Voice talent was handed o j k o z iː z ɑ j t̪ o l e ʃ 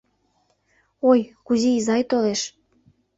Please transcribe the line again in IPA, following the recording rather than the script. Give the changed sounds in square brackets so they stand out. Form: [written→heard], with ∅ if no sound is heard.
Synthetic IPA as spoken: o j k [o→u] z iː z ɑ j t̪ o l e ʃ

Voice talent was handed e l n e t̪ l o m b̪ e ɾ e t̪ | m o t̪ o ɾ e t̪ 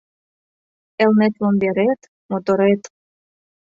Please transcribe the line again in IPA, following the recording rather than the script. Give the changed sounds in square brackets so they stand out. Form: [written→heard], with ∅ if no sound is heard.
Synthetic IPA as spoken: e l n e t̪ l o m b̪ e ɾ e t̪ | m o t̪ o ɾ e t̪

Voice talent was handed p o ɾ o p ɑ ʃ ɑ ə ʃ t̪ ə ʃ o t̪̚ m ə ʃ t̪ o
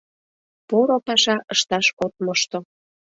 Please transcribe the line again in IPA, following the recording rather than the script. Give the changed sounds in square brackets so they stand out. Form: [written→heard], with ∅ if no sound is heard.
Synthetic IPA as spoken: p o ɾ o p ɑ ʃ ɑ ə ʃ t̪ [ə→ɑ] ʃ o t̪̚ m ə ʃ t̪ o

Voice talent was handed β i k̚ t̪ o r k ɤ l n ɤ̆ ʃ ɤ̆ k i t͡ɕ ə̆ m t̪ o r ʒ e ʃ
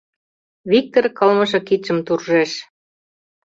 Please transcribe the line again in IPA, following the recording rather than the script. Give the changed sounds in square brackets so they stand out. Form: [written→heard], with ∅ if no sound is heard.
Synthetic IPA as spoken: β i k̚ t̪ o r k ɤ l [n→m] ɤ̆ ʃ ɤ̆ k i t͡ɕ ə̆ m t̪ [o→u] r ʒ e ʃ

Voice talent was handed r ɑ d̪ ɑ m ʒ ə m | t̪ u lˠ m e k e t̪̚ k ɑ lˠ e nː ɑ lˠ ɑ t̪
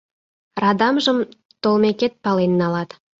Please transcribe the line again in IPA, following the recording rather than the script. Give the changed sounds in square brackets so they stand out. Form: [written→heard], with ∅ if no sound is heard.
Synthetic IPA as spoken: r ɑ d̪ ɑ m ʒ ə m | t̪ [u→o] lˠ m e k e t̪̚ [k→p] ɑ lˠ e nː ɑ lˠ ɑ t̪

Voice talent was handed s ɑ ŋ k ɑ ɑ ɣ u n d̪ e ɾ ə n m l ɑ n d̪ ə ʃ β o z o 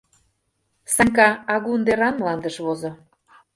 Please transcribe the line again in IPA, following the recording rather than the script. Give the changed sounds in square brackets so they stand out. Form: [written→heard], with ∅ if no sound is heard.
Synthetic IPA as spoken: s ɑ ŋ k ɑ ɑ ɣ u n d̪ e ɾ [ə→ɑ] n m l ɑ n d̪ ə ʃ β o z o

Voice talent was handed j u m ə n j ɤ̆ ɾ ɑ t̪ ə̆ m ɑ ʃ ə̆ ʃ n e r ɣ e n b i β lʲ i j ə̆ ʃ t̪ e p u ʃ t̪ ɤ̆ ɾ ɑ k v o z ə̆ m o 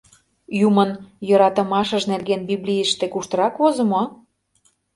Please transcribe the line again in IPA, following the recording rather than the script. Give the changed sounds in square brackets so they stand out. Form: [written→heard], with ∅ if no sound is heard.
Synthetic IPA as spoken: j u m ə n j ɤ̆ ɾ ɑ t̪ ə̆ m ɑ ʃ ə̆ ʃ n e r ɣ e n b i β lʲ i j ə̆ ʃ t̪ e [p→k] u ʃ t̪ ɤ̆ ɾ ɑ k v o z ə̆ m o

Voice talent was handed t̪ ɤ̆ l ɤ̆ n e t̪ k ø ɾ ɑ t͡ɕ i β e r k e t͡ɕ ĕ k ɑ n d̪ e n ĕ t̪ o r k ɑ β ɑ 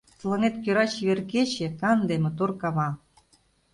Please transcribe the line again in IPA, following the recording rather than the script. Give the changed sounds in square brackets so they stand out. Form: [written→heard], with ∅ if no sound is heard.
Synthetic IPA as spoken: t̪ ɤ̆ l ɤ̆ n e t̪ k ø ɾ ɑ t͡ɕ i β e r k e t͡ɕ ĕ k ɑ n d̪ e [n→m] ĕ t̪ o r k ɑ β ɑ

